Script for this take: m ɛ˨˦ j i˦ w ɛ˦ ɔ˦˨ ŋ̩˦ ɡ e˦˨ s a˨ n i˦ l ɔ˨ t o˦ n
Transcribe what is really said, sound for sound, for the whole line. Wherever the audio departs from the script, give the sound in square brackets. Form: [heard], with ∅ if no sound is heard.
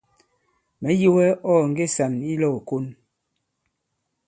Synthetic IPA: m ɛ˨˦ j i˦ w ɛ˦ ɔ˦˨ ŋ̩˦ ɡ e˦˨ s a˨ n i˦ l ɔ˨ [k] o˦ n